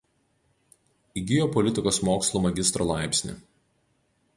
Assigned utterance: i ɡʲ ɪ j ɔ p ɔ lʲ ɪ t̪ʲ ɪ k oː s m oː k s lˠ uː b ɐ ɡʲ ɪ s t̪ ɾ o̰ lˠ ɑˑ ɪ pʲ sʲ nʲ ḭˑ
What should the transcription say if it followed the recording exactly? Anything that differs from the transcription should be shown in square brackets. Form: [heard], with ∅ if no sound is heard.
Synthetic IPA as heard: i ɡʲ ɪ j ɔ p ɔ lʲ ɪ t̪ʲ ɪ k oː s m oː k s lˠ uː [m] ɐ ɡʲ ɪ s t̪ ɾ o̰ lˠ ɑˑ ɪ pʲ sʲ nʲ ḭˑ